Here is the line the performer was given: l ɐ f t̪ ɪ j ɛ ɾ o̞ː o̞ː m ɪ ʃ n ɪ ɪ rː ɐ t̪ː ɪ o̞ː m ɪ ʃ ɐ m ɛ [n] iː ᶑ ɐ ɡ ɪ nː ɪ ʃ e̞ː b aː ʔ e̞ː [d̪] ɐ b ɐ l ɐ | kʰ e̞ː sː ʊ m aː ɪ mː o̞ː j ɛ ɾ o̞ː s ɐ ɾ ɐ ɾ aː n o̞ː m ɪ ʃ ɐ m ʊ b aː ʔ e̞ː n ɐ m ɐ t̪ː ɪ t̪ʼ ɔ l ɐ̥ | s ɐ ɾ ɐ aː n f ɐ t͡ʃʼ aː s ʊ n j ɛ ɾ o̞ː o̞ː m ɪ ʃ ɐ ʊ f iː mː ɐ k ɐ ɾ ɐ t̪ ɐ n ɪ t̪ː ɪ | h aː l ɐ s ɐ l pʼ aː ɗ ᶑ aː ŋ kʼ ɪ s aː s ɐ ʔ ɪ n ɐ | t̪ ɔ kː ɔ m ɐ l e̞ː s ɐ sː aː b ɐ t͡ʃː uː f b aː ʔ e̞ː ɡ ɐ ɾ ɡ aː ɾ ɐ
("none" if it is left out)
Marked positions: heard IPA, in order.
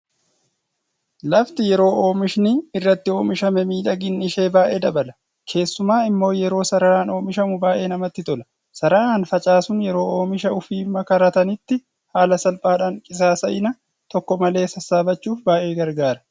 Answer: m, d̪

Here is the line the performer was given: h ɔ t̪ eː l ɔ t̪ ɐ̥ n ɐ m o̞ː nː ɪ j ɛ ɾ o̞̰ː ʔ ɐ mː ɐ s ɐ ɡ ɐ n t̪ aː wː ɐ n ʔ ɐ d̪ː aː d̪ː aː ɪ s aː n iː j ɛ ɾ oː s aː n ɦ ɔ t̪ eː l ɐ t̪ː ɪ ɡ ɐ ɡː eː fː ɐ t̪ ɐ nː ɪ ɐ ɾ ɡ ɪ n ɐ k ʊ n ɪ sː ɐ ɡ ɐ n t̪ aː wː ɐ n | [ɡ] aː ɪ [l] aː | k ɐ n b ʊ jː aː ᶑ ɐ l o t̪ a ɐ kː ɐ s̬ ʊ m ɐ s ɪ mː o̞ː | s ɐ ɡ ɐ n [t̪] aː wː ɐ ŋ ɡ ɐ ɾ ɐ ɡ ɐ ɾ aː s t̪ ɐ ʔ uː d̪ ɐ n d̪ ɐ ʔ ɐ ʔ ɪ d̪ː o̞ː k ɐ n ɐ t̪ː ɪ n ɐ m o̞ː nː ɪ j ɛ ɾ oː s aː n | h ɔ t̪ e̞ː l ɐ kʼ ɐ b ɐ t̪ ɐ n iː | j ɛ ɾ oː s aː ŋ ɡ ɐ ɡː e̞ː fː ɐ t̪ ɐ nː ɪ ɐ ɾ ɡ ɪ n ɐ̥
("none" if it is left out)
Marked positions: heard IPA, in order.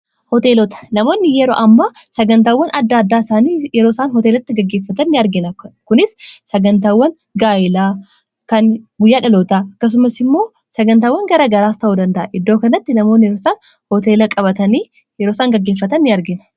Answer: ɡ, l, t̪

